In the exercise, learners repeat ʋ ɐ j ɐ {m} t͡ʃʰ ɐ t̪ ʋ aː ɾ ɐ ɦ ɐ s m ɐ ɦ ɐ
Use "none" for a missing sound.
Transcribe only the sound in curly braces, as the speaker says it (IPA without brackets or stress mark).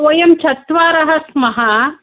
m